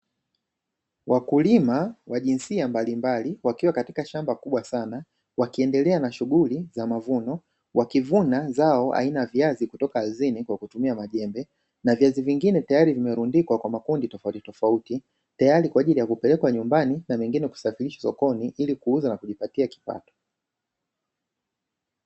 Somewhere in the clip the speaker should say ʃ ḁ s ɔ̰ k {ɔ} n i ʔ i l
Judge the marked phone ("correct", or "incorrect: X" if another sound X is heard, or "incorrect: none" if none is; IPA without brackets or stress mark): correct